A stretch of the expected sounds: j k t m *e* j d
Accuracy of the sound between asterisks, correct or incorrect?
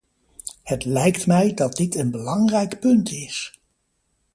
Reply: incorrect: ɛ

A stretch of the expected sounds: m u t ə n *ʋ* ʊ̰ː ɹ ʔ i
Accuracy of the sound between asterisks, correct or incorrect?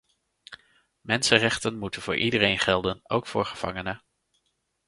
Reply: incorrect: v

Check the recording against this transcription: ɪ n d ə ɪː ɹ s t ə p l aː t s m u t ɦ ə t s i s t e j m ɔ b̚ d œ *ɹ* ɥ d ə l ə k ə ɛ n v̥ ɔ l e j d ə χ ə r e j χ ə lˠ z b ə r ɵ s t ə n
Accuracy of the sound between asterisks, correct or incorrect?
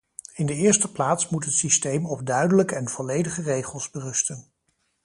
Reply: incorrect: none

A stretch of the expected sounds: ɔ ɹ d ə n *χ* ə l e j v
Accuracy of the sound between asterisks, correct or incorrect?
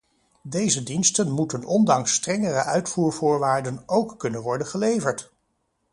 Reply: correct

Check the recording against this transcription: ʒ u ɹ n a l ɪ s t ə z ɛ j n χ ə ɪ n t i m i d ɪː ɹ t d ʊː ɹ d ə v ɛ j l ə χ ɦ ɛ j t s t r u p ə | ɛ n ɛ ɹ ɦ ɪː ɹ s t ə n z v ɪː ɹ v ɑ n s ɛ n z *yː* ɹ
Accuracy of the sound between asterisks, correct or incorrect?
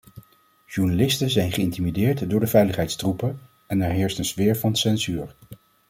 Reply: correct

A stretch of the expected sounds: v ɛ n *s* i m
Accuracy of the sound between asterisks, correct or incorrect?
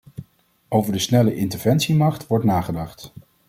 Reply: correct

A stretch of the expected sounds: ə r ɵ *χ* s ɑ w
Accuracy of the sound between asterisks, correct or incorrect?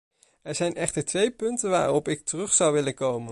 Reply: correct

